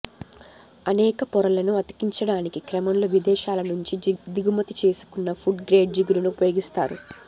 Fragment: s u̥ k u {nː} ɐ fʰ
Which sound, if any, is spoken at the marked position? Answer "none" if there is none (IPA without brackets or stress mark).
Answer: nː